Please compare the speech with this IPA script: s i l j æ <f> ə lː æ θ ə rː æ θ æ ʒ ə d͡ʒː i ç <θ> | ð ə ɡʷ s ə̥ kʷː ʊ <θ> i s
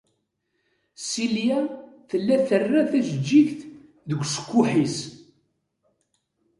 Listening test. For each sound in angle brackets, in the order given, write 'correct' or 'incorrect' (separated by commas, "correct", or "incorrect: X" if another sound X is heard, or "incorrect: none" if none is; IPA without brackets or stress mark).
incorrect: θ, correct, incorrect: ħ